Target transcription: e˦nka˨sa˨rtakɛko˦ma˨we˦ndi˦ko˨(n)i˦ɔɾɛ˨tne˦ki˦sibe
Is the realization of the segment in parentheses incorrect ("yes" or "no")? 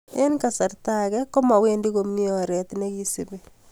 yes